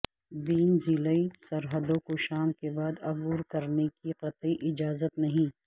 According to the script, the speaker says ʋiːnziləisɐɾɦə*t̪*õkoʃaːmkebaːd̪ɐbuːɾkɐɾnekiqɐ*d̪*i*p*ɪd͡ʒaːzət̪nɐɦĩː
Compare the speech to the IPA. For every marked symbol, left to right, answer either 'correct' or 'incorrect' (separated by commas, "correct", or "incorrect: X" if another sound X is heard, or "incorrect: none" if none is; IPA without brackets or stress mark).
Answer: incorrect: d̪, incorrect: t̪, incorrect: ʔ